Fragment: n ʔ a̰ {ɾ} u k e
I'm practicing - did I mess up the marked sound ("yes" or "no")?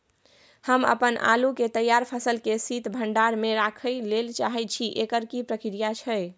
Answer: yes